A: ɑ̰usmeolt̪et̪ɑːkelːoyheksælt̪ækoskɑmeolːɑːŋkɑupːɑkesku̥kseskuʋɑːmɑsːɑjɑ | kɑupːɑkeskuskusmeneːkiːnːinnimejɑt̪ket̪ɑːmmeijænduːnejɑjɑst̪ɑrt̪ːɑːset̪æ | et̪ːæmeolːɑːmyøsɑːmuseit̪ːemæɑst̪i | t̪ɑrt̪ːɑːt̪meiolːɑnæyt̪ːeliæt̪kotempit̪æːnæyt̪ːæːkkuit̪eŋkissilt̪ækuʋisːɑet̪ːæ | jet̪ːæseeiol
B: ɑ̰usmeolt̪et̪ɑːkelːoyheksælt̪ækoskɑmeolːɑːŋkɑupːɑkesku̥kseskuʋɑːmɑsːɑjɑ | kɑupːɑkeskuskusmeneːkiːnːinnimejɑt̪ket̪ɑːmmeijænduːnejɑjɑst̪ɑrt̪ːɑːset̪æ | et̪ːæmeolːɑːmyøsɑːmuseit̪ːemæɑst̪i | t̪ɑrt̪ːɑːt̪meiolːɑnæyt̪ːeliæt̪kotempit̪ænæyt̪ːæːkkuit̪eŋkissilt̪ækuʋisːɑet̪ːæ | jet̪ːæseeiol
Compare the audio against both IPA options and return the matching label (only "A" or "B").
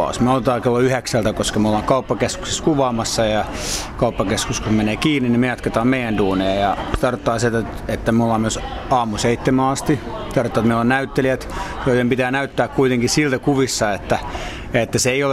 A